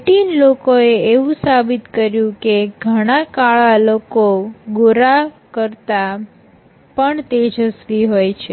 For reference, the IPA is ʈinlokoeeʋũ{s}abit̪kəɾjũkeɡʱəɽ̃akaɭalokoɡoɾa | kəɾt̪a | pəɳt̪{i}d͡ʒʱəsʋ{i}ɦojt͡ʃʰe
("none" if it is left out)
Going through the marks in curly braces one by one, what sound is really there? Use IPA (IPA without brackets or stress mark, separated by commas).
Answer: s, e, i